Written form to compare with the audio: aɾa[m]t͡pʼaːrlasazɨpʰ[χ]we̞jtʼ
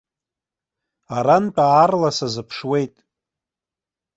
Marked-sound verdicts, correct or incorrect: incorrect, incorrect

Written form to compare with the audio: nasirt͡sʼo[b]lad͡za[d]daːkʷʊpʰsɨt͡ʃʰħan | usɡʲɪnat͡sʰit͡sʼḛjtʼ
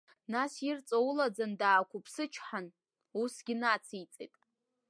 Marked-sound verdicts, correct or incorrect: incorrect, incorrect

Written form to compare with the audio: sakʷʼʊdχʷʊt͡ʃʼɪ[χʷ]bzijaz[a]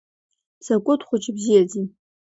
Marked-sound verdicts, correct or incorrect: incorrect, incorrect

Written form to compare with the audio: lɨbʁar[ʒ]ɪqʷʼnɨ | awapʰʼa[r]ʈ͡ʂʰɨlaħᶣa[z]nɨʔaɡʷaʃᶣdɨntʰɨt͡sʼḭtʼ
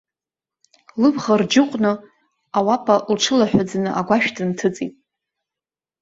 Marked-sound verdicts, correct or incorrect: incorrect, incorrect, incorrect

